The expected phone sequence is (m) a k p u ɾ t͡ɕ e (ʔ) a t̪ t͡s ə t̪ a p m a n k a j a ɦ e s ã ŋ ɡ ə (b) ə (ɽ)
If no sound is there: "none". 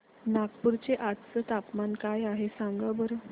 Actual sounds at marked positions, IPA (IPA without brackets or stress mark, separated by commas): n, ʔ, b, ɾ